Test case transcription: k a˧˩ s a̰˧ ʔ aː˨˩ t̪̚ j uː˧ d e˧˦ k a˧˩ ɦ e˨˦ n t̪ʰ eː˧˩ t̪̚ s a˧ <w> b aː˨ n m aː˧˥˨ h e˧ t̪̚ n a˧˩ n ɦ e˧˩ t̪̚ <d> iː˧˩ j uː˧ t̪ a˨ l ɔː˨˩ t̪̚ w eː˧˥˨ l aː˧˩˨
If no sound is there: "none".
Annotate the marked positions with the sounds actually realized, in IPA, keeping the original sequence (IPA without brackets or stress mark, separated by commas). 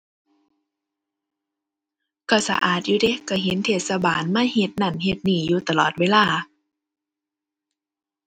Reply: none, n